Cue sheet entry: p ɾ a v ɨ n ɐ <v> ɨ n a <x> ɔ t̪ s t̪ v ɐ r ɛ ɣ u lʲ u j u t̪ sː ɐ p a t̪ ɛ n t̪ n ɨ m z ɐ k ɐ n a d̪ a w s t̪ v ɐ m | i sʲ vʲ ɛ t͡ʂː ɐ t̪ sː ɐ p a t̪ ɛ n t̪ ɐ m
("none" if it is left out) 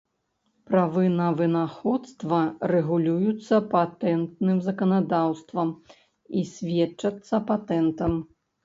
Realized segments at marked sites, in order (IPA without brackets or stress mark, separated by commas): v, x